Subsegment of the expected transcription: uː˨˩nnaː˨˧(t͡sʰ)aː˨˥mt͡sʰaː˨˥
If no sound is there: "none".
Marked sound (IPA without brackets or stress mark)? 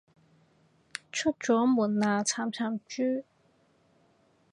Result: t͡sʰ